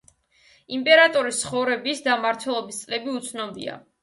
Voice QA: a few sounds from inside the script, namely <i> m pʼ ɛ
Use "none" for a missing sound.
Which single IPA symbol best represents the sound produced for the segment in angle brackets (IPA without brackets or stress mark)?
i